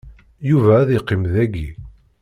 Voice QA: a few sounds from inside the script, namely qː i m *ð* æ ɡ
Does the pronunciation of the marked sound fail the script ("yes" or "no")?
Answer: no